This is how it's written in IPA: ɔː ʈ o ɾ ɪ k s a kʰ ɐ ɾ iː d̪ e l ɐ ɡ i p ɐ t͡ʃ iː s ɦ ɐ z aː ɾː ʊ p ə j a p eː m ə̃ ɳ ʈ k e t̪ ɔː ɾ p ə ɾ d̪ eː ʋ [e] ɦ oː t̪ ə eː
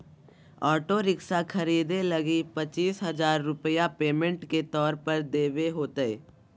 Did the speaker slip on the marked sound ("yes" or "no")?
no